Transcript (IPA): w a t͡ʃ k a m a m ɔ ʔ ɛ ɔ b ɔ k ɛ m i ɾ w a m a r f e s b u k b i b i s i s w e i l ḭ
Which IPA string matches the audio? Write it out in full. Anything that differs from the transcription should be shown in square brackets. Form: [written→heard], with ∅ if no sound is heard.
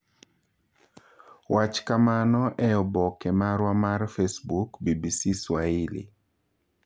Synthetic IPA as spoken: w a t͡ʃ k a m a [m→n] ɔ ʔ ɛ ɔ b ɔ k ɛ m [i→a] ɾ w a m a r f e s b u k b i b i s i s w [e→a] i l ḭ